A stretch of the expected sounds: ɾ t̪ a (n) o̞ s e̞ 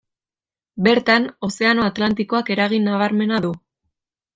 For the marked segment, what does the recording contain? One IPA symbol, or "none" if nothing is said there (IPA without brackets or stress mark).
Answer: n